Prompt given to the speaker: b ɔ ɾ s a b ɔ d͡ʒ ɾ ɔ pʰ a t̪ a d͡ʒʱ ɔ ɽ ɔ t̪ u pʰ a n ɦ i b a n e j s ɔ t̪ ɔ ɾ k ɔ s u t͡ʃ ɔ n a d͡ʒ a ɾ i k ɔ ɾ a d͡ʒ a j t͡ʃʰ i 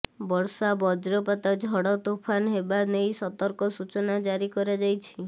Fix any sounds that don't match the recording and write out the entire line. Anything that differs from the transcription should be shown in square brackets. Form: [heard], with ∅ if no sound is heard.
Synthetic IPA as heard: b ɔ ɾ s a b ɔ d͡ʒ ɾ ɔ [p] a t̪ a d͡ʒʱ ɔ ɽ ɔ t̪ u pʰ a n ɦ [e] b a n e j s ɔ t̪ ɔ ɾ k ɔ s u t͡ʃ ɔ n a d͡ʒ a ɾ i k ɔ ɾ a d͡ʒ a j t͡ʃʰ i